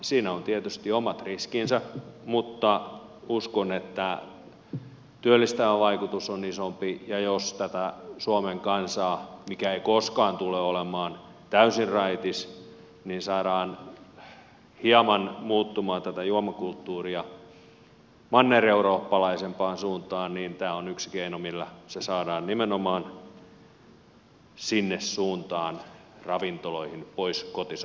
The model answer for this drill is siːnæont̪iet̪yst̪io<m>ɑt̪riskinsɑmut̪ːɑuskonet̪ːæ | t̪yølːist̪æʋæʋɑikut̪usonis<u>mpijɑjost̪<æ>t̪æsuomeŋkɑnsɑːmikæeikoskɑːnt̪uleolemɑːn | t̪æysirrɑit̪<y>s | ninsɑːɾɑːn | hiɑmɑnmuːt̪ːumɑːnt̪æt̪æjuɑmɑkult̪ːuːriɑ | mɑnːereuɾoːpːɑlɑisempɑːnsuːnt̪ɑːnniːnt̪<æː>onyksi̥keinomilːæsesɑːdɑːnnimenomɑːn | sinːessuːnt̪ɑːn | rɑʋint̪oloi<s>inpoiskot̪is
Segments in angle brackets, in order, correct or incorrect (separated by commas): correct, incorrect, correct, incorrect, correct, incorrect